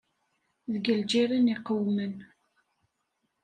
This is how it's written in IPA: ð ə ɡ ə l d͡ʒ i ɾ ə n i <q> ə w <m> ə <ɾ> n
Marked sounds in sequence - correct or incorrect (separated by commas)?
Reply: correct, correct, incorrect